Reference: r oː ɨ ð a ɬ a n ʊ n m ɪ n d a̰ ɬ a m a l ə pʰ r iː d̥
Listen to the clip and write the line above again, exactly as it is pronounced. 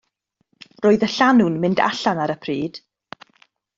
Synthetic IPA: r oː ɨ ð ə ɬ a n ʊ n m ɪ n d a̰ ɬ a n a ɾ ə pʰ r iː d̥